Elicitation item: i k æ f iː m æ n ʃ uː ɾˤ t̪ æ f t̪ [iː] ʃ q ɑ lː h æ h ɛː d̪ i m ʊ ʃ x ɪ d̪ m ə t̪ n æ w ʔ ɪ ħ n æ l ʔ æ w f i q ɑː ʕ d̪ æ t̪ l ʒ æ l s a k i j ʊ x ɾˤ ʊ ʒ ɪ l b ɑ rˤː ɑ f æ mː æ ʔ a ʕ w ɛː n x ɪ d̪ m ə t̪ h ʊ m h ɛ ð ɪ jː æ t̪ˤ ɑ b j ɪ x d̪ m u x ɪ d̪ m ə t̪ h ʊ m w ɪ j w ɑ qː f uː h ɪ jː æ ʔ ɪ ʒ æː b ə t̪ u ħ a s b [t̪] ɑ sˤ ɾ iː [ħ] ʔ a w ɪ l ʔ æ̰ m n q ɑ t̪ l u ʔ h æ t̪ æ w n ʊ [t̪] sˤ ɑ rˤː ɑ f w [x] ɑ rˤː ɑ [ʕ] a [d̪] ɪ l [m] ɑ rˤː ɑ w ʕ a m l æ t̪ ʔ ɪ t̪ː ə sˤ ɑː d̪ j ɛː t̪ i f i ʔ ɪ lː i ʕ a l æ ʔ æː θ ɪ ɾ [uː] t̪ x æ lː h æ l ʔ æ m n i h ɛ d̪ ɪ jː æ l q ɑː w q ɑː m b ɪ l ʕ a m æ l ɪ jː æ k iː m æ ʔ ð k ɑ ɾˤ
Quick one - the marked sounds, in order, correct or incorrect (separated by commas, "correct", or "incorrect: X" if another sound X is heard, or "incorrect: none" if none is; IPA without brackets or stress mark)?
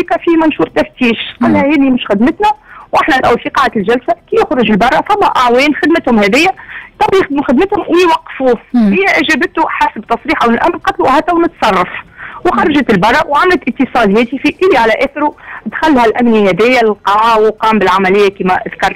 correct, correct, correct, correct, correct, incorrect: ʒ, incorrect: t̪, incorrect: b, incorrect: u